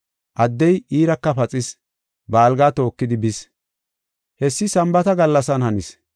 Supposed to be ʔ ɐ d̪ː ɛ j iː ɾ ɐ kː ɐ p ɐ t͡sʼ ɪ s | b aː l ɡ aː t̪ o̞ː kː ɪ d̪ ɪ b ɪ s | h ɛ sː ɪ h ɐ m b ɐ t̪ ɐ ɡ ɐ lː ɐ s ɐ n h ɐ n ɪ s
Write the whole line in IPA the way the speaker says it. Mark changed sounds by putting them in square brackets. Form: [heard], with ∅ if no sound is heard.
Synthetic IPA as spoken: ʔ ɐ d̪ː ɛ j iː ɾ ɐ kː ɐ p ɐ t͡sʼ ɪ s | b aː l ɡ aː t̪ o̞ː kː ɪ d̪ ɪ b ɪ s | h ɛ sː ɪ [s] ɐ m b ɐ t̪ ɐ ɡ ɐ lː ɐ s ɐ n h ɐ n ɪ s